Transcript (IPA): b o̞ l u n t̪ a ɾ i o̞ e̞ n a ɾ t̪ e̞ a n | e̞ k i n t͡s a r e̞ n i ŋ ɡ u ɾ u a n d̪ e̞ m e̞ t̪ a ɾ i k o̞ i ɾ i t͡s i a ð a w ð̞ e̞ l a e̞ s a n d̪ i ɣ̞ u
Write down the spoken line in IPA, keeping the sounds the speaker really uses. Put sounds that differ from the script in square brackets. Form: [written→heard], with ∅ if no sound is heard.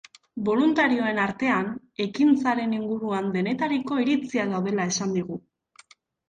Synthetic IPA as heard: b o̞ l u n t̪ a ɾ i o̞ e̞ n a ɾ t̪ e̞ a n | e̞ k i n t͡s a [r→ɾ] e̞ n i ŋ ɡ u ɾ u a n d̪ e̞ [m→n] e̞ t̪ a ɾ i k o̞ i ɾ i t͡s i a ð a w ð̞ e̞ l a e̞ s a n d̪ i ɣ̞ u